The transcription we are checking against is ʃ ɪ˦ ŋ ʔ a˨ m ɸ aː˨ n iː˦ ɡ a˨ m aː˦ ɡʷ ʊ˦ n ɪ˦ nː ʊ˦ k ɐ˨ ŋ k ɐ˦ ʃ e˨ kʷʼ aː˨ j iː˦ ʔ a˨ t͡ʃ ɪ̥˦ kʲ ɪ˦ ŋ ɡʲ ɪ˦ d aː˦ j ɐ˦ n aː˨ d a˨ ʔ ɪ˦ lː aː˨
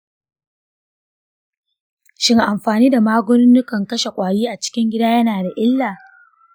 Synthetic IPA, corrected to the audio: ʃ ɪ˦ ŋ ʔ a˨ m ɸ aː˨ n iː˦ d a˨ m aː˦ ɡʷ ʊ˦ n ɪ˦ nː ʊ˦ k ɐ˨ ŋ k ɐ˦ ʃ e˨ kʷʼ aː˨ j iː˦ ʔ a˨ t͡ʃ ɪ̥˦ kʲ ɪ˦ ŋ ɡʲ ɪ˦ d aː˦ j ɐ˦ n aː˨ d a˨ ʔ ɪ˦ lː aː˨